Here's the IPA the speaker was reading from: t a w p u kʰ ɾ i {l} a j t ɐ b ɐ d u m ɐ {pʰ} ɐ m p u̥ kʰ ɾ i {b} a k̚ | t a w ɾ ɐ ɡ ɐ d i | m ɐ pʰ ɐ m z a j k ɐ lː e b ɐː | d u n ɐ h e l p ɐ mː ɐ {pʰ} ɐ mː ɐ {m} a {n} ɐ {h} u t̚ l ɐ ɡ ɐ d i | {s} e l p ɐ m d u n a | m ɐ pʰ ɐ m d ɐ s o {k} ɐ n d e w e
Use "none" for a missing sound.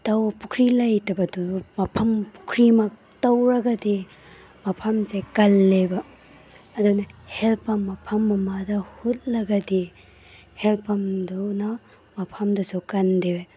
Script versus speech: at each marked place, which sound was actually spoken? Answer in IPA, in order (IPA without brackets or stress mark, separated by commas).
l, pʰ, m, pʰ, m, d, h, h, k